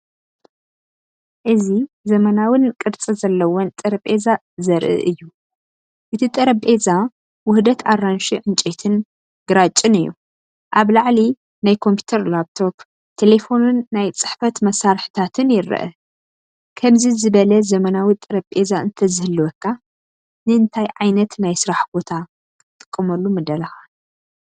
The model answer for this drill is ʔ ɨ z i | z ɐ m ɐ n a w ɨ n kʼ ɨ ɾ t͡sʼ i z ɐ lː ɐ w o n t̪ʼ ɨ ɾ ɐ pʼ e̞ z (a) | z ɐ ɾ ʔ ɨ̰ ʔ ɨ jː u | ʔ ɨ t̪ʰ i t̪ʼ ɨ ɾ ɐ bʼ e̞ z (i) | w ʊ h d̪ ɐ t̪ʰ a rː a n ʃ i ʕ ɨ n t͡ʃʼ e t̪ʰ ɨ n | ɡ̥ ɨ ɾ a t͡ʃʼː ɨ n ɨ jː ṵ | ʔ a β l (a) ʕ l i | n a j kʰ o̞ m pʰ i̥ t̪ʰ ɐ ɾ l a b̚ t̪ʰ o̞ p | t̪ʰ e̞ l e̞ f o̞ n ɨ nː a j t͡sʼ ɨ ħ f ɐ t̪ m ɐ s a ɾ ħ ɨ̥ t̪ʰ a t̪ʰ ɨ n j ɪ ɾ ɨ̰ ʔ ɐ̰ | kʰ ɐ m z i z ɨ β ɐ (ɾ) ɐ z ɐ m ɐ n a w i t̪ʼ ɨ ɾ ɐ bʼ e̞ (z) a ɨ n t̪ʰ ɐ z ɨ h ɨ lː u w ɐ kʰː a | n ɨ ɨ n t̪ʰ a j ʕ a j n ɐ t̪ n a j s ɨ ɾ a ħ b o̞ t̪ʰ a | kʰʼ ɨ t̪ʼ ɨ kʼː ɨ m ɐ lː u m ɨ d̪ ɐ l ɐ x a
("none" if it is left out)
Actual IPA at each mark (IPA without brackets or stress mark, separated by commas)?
a, a, a, l, z